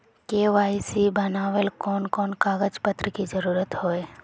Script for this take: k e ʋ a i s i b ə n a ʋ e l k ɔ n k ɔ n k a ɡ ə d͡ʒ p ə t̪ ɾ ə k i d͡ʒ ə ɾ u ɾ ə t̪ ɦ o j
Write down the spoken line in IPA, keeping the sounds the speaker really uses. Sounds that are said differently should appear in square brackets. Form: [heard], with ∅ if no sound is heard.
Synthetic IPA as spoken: k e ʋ a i s i b ə n a ʋ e l k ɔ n k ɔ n k a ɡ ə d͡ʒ p ə t̪ ɾ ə k i d͡ʒ ə ɾ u ɾ ə t̪ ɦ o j